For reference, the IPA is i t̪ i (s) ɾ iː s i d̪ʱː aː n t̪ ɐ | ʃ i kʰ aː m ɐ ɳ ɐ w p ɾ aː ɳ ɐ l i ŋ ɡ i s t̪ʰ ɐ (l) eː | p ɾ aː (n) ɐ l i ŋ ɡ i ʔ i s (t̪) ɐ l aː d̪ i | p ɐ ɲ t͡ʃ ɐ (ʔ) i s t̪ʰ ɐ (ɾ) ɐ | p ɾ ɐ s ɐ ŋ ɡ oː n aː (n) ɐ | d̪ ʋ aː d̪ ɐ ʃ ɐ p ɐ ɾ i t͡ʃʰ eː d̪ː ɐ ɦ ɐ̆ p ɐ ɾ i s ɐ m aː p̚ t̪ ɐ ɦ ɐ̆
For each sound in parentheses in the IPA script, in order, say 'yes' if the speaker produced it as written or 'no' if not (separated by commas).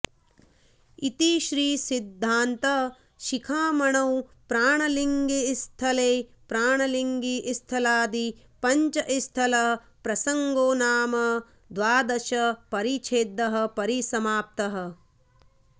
no, yes, no, no, yes, no, no